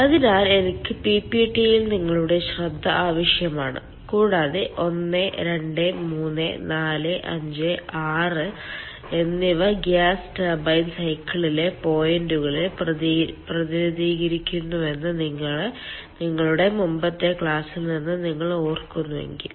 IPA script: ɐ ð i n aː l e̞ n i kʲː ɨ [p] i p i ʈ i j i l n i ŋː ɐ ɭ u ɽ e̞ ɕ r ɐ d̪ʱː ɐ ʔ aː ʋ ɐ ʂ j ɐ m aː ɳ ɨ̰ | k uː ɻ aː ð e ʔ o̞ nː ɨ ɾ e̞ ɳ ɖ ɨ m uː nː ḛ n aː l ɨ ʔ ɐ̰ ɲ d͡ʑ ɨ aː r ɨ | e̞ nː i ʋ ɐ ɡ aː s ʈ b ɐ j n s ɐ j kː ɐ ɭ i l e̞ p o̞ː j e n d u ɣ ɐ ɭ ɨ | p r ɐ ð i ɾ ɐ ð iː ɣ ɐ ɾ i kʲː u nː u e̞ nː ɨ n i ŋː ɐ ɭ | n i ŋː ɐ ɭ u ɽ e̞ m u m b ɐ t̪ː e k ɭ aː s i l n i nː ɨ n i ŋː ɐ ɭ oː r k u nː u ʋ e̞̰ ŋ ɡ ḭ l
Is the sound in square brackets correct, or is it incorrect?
correct